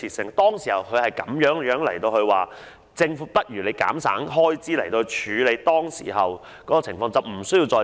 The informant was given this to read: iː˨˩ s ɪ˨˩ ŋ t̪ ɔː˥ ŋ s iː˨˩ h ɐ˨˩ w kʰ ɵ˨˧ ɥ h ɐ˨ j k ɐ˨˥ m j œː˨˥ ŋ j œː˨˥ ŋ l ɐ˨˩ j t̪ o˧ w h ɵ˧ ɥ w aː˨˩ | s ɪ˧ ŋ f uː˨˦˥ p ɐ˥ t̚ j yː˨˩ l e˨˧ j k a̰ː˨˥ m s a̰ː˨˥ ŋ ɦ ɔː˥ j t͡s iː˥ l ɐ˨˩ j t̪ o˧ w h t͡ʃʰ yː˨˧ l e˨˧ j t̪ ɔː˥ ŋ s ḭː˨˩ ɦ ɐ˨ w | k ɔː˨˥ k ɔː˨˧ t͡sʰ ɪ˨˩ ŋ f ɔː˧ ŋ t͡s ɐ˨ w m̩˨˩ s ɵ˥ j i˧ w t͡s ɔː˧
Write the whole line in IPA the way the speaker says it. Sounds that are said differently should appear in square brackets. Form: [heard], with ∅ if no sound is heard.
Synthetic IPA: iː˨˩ s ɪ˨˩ ŋ t̪ ɔː˥ ŋ s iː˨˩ h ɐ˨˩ w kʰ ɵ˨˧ ɥ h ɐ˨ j k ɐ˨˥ m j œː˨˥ ŋ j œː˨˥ ŋ l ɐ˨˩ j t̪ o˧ w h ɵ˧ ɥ w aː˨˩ | [t͡s] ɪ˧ ŋ f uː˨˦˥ p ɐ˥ t̚ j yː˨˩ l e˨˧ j k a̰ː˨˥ m s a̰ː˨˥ ŋ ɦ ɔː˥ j t͡s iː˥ l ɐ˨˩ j t̪ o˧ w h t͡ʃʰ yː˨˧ l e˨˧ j t̪ ɔː˥ ŋ s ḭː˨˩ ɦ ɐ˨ w | k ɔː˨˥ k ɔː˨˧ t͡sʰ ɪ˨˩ ŋ f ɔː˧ ŋ t͡s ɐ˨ w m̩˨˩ s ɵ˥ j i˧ w t͡s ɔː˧

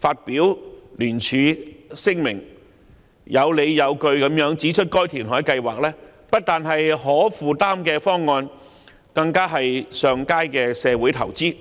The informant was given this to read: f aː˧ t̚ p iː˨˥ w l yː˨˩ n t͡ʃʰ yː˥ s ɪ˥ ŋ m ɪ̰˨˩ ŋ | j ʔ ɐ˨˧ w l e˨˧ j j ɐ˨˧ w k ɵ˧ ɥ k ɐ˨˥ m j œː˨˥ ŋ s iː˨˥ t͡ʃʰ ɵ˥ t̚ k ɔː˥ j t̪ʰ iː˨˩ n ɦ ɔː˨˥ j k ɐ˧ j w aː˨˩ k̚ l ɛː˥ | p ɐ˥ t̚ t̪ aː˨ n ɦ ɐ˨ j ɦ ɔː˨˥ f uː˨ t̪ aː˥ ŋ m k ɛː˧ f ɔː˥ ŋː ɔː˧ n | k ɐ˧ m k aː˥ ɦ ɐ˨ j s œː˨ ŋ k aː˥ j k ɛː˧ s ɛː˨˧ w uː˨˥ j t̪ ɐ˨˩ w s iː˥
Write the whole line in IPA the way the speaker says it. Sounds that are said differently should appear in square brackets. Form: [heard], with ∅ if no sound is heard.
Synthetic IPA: f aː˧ t̚ p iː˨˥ w l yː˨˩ n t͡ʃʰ [yː˨˧] s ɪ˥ ŋ m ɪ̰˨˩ ŋ | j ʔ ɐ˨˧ w l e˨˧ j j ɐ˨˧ w k ɵ˧ ɥ k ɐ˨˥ m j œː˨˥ ŋ [t͡s] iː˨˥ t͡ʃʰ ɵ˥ t̚ k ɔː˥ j t̪ʰ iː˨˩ n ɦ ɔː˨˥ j k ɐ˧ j w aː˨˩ k̚ l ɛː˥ | p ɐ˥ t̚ t̪ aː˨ n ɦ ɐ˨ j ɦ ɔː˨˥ f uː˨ t̪ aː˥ [∅] m k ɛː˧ f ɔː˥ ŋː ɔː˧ n | k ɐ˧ [ŋ] k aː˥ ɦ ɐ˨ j s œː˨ ŋ k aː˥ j k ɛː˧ s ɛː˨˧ w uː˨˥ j [t̪ʰ] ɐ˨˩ w [t͡s] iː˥

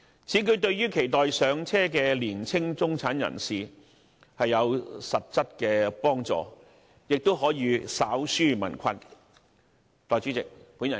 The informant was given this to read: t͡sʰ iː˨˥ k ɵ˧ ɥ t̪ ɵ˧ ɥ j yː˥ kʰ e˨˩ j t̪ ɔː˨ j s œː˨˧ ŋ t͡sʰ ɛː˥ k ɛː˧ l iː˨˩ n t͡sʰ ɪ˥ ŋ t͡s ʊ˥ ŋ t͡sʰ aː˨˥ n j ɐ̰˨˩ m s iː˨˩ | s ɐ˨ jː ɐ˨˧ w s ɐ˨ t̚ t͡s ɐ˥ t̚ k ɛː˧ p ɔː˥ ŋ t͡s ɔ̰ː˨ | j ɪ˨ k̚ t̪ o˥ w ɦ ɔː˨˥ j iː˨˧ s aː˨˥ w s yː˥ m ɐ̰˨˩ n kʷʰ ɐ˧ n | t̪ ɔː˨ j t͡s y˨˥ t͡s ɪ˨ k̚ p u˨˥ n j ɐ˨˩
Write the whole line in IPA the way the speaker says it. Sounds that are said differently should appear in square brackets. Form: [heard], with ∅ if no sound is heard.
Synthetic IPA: t͡sʰ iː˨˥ k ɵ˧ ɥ t̪ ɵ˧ ɥ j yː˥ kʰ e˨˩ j t̪ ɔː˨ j s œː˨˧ ŋ t͡sʰ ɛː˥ k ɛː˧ l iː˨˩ n t͡sʰ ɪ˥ ŋ t͡s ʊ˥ ŋ t͡sʰ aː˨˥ n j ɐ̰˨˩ [n] s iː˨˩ | [h] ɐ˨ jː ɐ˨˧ w s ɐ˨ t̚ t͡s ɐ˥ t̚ k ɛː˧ p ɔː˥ ŋ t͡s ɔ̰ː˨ | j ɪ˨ k̚ t̪ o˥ w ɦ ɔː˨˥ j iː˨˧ s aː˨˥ w s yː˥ m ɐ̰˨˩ n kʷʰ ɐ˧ n | t̪ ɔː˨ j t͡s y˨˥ t͡s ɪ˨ k̚ p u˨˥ n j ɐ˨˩

